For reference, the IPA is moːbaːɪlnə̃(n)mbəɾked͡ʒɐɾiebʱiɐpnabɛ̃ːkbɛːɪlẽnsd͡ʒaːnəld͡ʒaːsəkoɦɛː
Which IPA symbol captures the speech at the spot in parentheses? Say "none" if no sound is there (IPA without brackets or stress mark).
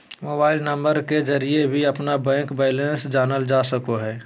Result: none